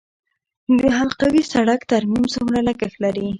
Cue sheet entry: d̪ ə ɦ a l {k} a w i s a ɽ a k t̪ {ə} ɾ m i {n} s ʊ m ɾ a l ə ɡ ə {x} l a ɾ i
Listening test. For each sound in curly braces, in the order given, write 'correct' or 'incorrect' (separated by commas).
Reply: incorrect, incorrect, incorrect, correct